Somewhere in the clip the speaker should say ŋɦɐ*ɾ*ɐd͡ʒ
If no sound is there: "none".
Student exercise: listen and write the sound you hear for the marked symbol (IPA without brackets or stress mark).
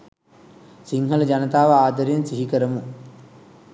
l